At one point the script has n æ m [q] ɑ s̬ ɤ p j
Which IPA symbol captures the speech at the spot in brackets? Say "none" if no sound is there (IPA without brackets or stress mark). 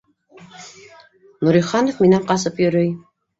q